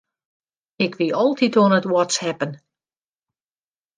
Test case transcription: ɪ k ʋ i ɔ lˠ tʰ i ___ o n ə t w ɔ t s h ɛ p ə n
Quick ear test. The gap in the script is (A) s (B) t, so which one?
B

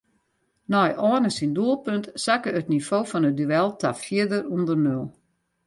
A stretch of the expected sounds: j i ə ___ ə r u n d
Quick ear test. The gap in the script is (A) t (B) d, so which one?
B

